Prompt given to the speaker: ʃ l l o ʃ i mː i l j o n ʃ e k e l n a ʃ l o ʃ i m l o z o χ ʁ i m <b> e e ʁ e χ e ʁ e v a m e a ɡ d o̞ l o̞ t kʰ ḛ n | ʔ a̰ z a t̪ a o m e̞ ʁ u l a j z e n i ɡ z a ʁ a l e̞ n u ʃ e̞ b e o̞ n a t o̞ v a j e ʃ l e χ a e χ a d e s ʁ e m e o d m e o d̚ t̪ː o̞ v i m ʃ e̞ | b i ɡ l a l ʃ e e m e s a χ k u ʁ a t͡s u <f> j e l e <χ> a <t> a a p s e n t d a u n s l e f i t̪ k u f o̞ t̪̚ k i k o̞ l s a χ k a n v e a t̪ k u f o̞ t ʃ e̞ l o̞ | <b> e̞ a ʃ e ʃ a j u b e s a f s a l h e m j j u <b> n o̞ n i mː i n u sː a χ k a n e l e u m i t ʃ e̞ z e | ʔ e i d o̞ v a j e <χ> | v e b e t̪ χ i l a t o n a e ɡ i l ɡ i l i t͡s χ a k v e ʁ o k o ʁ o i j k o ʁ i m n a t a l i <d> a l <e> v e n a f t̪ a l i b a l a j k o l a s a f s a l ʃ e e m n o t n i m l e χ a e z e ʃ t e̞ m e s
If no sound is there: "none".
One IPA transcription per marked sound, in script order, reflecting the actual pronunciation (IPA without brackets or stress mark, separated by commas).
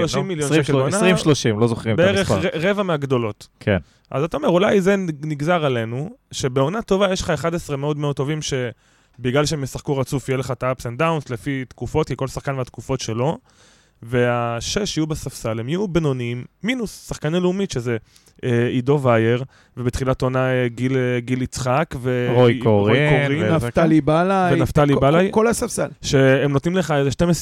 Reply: b, f, χ, t, v, b, ʁ, b, a